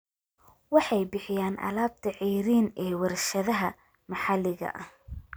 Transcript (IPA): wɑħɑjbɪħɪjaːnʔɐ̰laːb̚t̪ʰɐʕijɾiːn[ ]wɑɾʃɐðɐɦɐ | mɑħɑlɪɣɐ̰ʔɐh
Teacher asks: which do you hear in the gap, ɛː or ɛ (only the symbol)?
ɛː